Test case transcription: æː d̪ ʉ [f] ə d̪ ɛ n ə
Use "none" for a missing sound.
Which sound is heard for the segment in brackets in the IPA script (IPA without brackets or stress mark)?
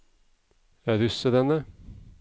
s